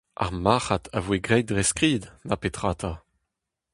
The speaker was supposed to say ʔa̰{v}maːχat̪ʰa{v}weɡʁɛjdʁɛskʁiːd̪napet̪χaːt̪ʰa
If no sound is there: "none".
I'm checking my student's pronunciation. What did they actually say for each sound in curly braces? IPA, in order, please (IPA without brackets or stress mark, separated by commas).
ʁ, v